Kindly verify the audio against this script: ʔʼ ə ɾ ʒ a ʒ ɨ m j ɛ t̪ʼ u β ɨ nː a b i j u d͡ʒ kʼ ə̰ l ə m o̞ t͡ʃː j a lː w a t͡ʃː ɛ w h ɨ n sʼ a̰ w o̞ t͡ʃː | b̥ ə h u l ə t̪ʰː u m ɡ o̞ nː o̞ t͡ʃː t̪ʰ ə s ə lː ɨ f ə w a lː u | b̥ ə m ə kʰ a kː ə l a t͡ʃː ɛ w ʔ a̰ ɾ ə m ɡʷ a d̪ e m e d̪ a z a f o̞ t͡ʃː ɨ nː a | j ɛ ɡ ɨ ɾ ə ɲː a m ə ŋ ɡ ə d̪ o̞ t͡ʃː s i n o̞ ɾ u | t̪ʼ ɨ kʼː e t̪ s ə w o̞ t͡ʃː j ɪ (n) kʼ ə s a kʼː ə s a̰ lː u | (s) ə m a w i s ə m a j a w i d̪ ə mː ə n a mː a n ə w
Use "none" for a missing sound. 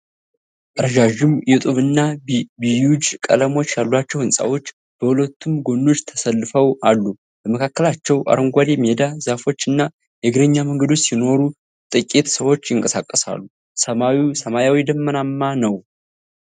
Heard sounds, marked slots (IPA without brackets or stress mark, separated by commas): ŋ, s